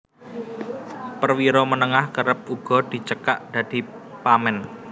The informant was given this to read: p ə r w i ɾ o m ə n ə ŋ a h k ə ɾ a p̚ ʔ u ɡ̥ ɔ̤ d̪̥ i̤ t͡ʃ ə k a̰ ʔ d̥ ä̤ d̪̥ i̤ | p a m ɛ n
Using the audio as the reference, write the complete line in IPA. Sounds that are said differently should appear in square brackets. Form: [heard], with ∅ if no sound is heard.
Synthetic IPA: p ə r w i ɾ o m ə n ə ŋ a h k ə ɾ [ə] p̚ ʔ u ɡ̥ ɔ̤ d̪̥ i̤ t͡ʃ ə k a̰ ʔ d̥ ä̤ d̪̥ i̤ | p a m ɛ n